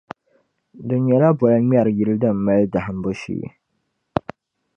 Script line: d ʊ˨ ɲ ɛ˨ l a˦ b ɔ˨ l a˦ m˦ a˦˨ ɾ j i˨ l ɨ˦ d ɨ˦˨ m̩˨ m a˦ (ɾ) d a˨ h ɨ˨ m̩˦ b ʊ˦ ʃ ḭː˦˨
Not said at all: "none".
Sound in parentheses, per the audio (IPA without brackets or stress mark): l